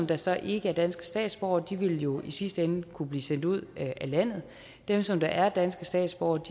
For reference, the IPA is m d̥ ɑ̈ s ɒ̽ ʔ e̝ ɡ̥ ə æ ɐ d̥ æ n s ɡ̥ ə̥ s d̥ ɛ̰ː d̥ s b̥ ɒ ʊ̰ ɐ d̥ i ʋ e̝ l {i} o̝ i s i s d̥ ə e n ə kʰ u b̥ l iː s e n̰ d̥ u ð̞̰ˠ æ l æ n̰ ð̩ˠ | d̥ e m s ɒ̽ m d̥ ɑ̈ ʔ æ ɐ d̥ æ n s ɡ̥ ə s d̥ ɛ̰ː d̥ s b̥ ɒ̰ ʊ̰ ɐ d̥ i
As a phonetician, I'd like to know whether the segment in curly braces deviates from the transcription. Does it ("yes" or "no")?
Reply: yes